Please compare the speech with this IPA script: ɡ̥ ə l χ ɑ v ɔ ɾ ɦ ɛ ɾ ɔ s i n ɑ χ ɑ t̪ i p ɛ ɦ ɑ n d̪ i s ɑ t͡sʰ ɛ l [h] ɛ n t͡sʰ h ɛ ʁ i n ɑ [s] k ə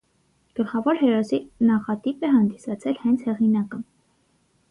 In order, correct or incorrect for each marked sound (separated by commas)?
correct, incorrect